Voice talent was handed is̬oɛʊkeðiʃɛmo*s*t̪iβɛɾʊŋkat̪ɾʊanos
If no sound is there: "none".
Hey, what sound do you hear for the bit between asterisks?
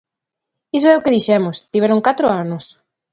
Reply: s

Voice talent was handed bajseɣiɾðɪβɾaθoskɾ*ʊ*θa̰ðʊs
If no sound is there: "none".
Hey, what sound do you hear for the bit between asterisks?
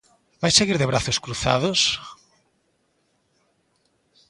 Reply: u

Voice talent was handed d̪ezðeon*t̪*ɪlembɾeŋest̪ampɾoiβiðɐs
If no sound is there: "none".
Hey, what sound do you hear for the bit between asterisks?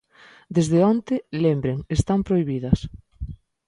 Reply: t̪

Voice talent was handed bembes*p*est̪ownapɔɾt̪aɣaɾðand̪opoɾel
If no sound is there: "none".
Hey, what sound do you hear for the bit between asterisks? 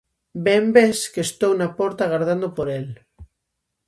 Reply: k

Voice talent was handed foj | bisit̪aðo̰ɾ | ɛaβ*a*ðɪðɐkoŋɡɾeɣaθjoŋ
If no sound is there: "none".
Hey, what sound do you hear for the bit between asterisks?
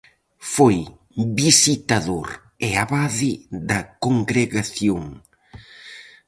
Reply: a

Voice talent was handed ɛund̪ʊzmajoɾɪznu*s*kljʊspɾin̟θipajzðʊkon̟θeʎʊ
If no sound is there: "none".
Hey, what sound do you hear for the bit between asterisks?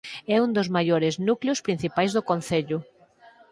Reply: none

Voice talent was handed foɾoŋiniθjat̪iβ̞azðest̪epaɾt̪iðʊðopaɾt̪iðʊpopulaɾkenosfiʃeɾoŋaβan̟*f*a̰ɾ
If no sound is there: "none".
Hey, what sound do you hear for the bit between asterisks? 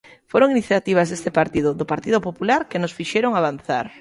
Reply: θ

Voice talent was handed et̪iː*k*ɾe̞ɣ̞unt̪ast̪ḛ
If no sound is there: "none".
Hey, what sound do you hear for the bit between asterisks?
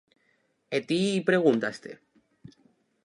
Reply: p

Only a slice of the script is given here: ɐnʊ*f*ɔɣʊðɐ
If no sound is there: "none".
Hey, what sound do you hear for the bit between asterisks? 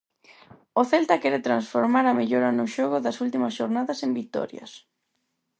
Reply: ʃ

